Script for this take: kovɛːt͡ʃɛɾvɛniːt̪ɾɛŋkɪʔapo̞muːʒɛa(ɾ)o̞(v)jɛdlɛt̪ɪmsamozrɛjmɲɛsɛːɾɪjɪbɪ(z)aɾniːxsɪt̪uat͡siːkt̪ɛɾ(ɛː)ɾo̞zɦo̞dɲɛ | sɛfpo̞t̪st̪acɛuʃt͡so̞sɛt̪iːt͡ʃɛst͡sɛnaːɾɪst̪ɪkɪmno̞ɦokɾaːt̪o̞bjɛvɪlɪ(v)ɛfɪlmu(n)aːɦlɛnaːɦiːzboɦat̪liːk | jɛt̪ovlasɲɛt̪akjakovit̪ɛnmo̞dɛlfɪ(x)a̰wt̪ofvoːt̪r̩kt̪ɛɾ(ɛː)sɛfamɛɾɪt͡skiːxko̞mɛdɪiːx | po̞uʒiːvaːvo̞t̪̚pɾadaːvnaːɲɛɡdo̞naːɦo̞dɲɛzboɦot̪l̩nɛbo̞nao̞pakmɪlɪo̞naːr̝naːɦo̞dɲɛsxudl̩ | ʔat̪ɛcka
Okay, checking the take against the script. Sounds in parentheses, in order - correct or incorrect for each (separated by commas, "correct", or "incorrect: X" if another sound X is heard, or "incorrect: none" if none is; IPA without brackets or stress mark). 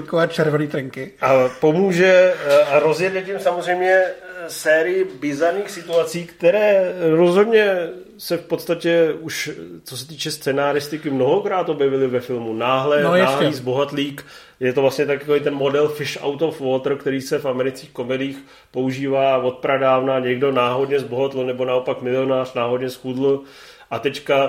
correct, incorrect: z, correct, correct, correct, correct, incorrect: ʃ, incorrect: iː